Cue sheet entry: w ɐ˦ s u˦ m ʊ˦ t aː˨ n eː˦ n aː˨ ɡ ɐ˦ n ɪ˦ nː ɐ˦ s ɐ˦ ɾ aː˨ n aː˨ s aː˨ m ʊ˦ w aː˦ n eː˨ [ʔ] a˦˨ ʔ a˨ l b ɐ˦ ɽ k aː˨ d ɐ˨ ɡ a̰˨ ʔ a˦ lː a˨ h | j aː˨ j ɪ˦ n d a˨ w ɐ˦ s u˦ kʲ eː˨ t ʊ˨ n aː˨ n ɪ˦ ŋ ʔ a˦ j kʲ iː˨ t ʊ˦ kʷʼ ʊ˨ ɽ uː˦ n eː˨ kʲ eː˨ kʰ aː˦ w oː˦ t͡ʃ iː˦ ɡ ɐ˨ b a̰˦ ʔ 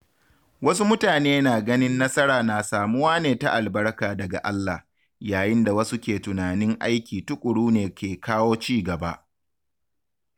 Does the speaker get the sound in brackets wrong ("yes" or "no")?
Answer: yes